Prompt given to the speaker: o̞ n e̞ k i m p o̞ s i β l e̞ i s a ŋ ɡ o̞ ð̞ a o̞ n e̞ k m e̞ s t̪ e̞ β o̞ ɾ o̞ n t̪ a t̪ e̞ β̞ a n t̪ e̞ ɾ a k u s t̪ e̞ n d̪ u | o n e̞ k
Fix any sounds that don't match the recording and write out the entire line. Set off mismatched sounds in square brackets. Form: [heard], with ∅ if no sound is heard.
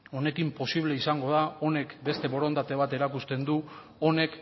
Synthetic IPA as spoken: o̞ n e̞ k i m p o̞ s i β l e̞ i s a ŋ ɡ o̞ ð̞ a o̞ n e̞ k [b] e̞ s t̪ e̞ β o̞ ɾ o̞ n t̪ a t̪ e̞ β̞ a [∅] t̪ e̞ ɾ a k u s t̪ e̞ n d̪ u | o n e̞ k

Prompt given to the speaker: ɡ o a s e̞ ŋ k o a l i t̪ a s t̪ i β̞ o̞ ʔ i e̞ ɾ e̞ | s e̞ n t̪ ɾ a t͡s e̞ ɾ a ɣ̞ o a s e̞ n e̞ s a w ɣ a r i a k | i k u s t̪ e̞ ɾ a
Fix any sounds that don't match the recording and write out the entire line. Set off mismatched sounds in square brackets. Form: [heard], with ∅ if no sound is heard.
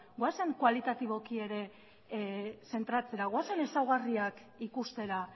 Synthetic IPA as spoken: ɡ o a s e̞ ŋ k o a l i t̪ a [∅] t̪ i β̞ o̞ [k] i e̞ ɾ e̞ | s e̞ n t̪ ɾ a t͡s e̞ ɾ a ɣ̞ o a s e̞ n e̞ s a w ɣ a r i a k | i k u s t̪ e̞ ɾ a

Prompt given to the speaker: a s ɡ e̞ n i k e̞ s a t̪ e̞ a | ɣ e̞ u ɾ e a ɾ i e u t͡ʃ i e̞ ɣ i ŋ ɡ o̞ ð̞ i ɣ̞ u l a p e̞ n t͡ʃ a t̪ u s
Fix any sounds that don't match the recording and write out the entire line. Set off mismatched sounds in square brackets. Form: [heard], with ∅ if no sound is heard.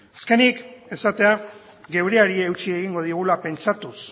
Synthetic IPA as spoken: a s [k] e̞ n i k e̞ s a t̪ e̞ a | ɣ e̞ [w] ɾ e a ɾ i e [w] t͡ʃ i e̞ ɣ i ŋ ɡ o̞ ð̞ i ɣ̞ u l a p e̞ n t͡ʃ a t̪ u s

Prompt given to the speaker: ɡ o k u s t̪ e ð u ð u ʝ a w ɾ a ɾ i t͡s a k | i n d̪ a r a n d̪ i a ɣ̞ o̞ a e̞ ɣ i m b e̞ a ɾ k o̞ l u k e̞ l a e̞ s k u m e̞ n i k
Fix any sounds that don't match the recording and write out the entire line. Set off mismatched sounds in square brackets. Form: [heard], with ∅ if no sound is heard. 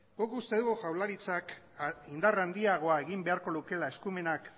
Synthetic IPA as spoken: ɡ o k u s t̪ e ð u [ɣ] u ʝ a w [l] a ɾ i t͡s a k | i n d̪ a r a n d̪ i a ɣ̞ o̞ a e̞ ɣ i m b e̞ a ɾ k o̞ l u k e̞ l a e̞ s k u m e̞ n [a] k

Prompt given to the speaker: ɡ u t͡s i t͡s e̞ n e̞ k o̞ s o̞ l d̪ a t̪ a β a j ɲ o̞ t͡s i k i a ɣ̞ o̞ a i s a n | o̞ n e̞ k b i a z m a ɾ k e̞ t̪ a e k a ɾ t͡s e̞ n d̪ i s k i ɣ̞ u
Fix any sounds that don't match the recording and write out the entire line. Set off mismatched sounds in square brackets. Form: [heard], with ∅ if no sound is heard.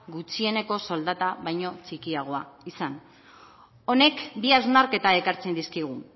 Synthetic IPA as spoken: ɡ u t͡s i [∅] e̞ n e̞ k o̞ s o̞ l d̪ a t̪ a β a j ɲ o̞ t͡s i k i a ɣ̞ o̞ a i s a n | o̞ n e̞ k b i a z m a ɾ k e̞ t̪ a e k a ɾ t͡s e̞ n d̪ i s k i ɣ̞ u

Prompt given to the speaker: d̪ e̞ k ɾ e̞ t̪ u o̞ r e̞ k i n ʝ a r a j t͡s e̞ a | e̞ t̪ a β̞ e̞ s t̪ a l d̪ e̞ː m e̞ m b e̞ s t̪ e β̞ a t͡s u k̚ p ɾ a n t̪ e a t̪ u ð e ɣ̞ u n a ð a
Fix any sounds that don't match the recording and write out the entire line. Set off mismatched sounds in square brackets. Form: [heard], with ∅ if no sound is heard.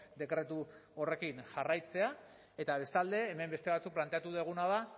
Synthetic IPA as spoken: d̪ e̞ k ɾ e̞ t̪ u o̞ r e̞ k i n ʝ a r a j t͡s e̞ a | e̞ t̪ a β̞ e̞ s t̪ a l d̪ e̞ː m e̞ m b e̞ s t̪ e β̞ a t͡s u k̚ p [l] a n t̪ e a t̪ u ð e ɣ̞ u n a ð a

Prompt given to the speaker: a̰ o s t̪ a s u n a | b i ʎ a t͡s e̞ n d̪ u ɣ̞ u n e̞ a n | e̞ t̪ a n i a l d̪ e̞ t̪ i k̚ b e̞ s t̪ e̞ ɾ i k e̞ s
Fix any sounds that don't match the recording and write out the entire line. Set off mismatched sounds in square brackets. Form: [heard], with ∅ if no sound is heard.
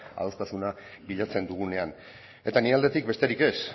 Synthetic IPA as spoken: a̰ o s t̪ a s u n a | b i ʎ a t͡s e̞ n d̪ u ɣ̞ u n e̞ a n | e̞ t̪ a n i a l d̪ e̞ t̪ i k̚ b e̞ s t̪ e̞ ɾ i k e̞ s

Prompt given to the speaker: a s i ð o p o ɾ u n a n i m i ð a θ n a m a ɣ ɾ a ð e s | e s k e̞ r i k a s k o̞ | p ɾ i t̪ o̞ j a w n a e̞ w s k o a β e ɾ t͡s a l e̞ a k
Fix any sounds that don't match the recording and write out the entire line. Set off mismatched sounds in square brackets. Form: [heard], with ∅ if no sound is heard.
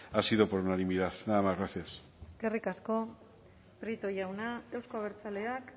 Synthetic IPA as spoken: a s i ð o p o ɾ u n a n i m i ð a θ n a m a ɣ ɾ a [θ] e s | e s k e̞ r i k a s k o̞ | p ɾ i t̪ o̞ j a w n a e̞ w s k o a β e ɾ t͡s a l e̞ a k

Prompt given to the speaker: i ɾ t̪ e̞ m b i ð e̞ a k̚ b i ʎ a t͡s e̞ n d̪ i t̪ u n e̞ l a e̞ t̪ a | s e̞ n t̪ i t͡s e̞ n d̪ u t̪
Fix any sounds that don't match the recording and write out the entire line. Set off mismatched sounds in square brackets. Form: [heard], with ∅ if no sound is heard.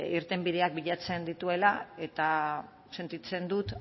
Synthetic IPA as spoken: i ɾ t̪ e̞ m b i ð e̞ a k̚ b i ʎ a t͡s e̞ n d̪ i t̪ u [∅] e̞ l a e̞ t̪ a | s e̞ n t̪ i t͡s e̞ n d̪ u t̪

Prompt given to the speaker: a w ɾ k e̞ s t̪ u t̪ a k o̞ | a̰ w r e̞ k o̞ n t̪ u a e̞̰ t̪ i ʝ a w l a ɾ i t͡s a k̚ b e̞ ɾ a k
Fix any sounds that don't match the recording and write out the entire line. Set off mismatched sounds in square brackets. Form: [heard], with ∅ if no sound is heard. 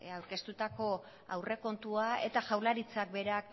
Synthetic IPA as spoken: a w ɾ k e̞ s t̪ u t̪ a k o̞ | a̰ w r e̞ k o̞ n t̪ u a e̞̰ t̪ [a] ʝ a w l a ɾ i t͡s a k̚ b e̞ ɾ a k

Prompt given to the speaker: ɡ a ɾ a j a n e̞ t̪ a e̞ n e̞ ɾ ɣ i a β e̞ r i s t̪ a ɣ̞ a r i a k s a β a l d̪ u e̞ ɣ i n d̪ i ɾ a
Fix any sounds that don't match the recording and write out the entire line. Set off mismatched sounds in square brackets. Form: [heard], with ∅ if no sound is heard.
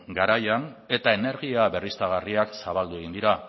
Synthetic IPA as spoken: ɡ a ɾ a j a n e̞ t̪ a e̞ n e̞ ɾ ɣ i a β e̞ r i s t̪ a ɣ̞ a r i a k s a β a l d̪ u e̞ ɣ i n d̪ i ɾ a

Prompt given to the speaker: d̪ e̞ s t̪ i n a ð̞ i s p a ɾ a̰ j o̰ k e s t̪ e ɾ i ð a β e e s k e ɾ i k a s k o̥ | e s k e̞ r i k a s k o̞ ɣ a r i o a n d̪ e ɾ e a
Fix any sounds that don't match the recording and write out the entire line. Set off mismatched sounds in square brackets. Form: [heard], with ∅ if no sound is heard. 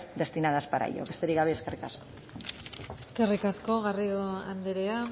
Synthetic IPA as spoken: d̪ e̞ s t̪ i n a ð̞ [a] s p a ɾ a̰ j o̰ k e s t̪ e ɾ i [ɣ] a β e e s k e [r] i k a s k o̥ | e s k e̞ r i k a s k o̞ ɣ a r i o a n d̪ e ɾ e a

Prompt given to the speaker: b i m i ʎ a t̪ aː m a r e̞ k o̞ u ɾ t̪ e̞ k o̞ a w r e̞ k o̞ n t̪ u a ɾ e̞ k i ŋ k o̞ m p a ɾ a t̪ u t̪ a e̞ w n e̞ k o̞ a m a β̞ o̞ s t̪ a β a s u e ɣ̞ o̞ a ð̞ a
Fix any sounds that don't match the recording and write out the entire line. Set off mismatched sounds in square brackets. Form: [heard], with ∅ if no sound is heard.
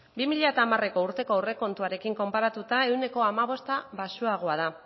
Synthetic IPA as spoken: b i m i ʎ a t̪ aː m a r e̞ k o̞ u ɾ t̪ e̞ k o̞ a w r e̞ k o̞ n t̪ u a ɾ e̞ k i ŋ k o̞ m p a ɾ a t̪ u t̪ a e̞ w n e̞ k o̞ a m a β̞ o̞ s t̪ a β a s u [a] ɣ̞ o̞ a ð̞ a

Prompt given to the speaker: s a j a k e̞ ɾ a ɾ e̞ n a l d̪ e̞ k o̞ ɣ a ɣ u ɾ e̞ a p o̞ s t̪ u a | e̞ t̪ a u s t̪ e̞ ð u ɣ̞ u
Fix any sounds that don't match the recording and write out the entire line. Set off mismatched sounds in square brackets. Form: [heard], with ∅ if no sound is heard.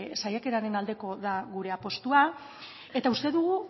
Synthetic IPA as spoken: s a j a k e̞ ɾ a ɾ e̞ n a l d̪ e̞ k o̞ [ð] a ɣ u ɾ e̞ a p o̞ s t̪ u a | e̞ t̪ a u s t̪ e̞ ð u ɣ̞ u

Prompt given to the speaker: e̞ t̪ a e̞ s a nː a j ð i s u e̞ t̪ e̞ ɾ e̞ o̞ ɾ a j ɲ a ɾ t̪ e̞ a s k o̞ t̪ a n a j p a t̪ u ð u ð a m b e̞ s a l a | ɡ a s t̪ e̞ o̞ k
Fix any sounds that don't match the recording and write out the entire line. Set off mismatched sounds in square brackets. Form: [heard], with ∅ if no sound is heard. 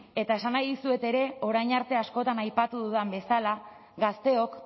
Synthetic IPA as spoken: e̞ t̪ a e̞ s a [n] a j ð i s u e̞ t̪ e̞ ɾ e̞ o̞ ɾ a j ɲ a ɾ t̪ e̞ a s k o̞ t̪ a n a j p a t̪ u ð u ð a m b e̞ s a l a | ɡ a s t̪ e̞ o̞ k

